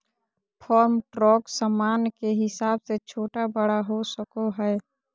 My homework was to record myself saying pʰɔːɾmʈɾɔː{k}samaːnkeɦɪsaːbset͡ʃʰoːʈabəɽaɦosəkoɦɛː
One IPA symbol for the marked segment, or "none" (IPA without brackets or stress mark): k